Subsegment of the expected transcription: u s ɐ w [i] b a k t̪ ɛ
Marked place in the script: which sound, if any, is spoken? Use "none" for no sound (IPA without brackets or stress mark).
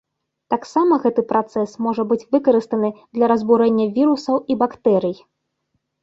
i